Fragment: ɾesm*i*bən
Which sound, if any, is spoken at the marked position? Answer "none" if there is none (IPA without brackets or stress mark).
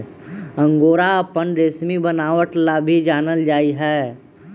i